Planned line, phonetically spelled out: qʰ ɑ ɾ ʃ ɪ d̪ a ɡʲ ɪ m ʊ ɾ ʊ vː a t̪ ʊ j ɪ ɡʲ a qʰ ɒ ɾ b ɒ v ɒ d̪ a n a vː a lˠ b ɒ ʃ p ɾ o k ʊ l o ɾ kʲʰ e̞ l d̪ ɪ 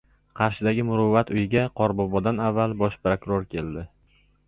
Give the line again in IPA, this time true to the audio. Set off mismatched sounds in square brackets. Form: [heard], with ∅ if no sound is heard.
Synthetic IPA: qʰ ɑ ɾ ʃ ɪ d̪ a ɡʲ ɪ m ʊ ɾ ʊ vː a t̪ ʊ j ɪ ɡʲ a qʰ ɒ ɾ b ɒ [b] ɒ d̪ a n a vː a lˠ b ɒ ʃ p ɾ o k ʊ [ɾ] o ɾ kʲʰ e̞ l d̪ ɪ